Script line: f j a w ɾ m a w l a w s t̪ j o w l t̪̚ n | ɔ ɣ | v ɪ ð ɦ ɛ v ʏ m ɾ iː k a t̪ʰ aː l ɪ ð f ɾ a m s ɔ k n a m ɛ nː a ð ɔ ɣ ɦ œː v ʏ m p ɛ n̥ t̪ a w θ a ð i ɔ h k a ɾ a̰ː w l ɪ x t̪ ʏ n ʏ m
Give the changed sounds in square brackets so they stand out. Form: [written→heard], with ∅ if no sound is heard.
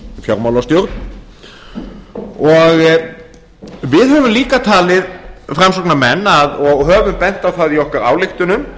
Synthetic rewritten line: f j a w ɾ m a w l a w s t̪ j o w [l→ɾ] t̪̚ n | ɔ ɣ | v ɪ ð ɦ [ɛ→œ] v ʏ m [ɾ→l] iː k a t̪ʰ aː l ɪ ð f ɾ a m s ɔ k n a m ɛ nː a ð ɔ ɣ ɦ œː v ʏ m p ɛ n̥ t̪ a w θ a ð i ɔ h k a ɾ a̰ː w l ɪ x t̪ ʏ n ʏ m